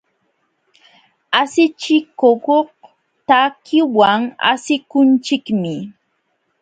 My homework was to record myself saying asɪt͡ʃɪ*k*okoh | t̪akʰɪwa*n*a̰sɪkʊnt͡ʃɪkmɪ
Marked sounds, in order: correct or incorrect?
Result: correct, incorrect: ŋ

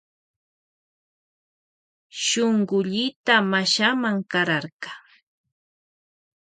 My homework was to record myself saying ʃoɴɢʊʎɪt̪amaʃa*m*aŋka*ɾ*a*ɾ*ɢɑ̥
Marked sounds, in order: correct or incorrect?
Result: correct, correct, correct

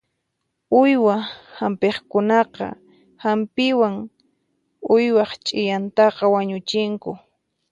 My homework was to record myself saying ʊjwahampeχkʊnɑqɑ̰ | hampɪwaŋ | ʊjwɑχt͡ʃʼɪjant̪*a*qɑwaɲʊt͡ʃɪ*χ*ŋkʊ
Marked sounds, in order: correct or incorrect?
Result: incorrect: ɑ, incorrect: none

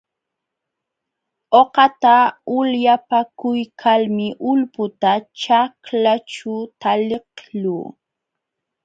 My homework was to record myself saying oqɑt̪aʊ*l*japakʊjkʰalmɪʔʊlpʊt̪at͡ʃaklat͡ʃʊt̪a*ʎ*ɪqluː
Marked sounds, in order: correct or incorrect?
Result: correct, incorrect: l

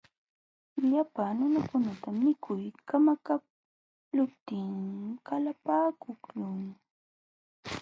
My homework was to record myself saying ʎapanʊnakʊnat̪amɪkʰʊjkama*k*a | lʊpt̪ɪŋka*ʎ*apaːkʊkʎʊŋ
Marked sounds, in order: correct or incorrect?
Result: correct, incorrect: l

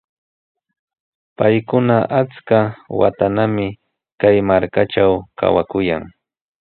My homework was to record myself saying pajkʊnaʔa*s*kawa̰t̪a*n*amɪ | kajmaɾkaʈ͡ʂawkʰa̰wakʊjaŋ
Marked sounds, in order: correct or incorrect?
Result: incorrect: t͡s, correct

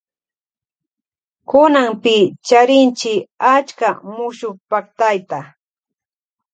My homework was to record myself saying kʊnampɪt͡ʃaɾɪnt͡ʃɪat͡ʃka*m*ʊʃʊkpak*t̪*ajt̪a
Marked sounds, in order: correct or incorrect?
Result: correct, correct

